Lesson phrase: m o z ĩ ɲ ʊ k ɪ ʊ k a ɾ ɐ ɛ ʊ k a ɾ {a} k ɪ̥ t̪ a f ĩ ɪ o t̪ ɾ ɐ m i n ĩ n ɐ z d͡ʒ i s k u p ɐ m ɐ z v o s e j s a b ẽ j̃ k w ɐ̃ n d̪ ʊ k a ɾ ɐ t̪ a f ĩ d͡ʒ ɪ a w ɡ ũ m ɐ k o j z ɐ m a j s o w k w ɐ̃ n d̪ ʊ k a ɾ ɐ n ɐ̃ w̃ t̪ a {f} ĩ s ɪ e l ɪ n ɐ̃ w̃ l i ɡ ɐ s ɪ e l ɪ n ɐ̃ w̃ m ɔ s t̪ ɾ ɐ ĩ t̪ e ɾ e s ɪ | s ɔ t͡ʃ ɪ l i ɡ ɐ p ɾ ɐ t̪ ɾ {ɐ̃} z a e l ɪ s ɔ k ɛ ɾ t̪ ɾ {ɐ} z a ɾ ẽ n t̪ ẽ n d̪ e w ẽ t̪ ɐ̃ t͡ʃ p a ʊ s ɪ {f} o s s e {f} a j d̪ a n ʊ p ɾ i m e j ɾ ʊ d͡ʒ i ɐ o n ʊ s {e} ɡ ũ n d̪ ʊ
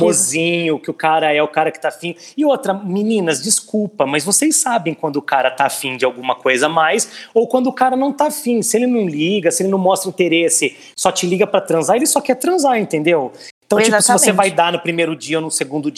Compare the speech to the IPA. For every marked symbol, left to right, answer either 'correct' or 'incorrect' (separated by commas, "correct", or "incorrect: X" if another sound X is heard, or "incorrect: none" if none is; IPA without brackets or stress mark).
incorrect: ɐ, correct, correct, incorrect: ɐ̃, incorrect: v, incorrect: v, correct